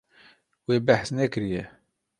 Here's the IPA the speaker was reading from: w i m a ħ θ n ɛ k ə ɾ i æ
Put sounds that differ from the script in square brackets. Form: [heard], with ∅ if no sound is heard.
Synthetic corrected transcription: w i [b] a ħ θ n [æ] k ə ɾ [j] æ